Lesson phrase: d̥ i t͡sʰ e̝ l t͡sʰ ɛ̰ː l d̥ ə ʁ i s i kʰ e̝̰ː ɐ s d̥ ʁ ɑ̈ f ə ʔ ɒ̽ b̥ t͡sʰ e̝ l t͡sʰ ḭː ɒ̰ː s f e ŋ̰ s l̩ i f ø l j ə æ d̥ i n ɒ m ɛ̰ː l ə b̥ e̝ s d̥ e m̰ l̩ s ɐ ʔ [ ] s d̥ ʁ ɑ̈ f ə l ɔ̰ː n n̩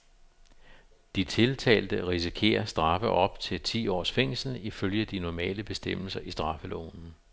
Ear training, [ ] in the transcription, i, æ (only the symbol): i